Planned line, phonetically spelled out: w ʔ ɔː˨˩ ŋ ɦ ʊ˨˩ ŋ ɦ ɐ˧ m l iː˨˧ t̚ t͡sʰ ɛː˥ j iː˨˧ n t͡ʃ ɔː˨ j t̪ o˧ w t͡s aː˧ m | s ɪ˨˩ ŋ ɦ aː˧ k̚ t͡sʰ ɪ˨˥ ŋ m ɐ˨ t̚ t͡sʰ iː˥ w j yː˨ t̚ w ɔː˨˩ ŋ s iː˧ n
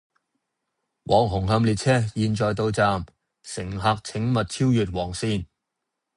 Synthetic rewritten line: w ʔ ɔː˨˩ ŋ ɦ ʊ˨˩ ŋ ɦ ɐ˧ m l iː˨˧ t̚ t͡sʰ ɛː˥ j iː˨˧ n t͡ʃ ɔː˨ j t̪ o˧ w t͡s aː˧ m | s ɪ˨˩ ŋ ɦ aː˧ k̚ t͡sʰ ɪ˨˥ ŋ m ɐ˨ t̚ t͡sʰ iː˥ w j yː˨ t̚ w ɔː˨˩ ŋ s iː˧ n